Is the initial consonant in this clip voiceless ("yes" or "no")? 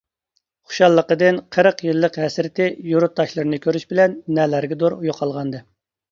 yes